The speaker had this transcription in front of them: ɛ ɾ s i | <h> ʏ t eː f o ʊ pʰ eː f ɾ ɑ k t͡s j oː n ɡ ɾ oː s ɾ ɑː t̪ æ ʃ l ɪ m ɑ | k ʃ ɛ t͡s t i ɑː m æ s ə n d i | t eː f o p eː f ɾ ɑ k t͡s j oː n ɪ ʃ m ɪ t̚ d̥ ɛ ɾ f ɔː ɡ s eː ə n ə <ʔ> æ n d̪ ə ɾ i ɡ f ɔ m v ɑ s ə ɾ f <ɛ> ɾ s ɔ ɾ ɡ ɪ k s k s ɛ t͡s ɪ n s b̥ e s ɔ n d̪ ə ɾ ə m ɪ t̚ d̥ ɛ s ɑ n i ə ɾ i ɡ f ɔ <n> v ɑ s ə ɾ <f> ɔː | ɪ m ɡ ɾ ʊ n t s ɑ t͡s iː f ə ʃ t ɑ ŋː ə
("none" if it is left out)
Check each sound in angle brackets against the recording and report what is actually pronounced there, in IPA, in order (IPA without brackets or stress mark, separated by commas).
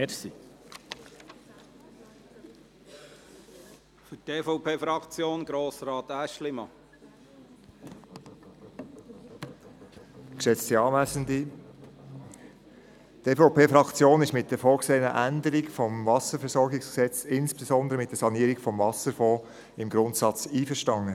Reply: f, ʔ, ɛ, m, f